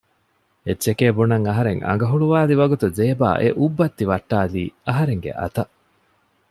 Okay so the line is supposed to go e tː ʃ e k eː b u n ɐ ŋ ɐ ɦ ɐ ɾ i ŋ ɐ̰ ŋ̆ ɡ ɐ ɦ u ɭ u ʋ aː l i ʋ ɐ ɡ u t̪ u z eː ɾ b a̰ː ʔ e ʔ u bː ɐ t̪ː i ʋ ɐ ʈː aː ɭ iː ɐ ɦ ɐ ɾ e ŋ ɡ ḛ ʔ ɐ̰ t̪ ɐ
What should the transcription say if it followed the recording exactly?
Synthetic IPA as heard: e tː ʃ e k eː b u n ɐ ŋ ɐ ɦ ɐ ɾ e ŋ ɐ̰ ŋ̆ ɡ ɐ ɦ u ɭ u ʋ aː l i ʋ ɐ ɡ u t̪ u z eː b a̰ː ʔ e ʔ u bː ɐ t̪ː i ʋ ɐ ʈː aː l iː ɐ ɦ ɐ ɾ e ŋ ɡ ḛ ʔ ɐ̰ t̪ ɐ